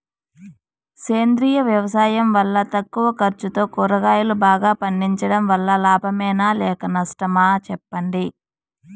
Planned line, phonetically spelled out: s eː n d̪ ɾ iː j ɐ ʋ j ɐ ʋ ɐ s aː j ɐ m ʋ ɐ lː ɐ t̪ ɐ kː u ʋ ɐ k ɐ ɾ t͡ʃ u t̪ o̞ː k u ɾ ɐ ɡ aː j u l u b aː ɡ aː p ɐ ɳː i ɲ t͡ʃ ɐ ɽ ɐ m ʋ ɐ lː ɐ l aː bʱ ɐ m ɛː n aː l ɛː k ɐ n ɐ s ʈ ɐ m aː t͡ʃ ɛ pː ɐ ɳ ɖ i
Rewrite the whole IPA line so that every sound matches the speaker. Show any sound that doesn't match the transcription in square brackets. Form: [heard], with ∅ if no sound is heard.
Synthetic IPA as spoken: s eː n d̪ ɾ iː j ɐ ʋ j ɐ ʋ ɐ s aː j ɐ m ʋ ɐ lː ɐ t̪ ɐ kː u ʋ ɐ k ɐ ɾ t͡ʃ u t̪ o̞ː k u ɾ ɐ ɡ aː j u l u b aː ɡ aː p ɐ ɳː i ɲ t͡ʃ ɐ ɽ ɐ m ʋ ɐ lː ɐ l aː bʱ ɐ m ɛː n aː l ɛː k ɐ n ɐ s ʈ ɐ m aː t͡ʃ ɛ pː ɐ ɳ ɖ i